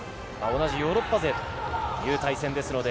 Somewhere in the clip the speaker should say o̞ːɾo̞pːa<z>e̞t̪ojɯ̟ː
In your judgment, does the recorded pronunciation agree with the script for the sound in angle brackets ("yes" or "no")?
yes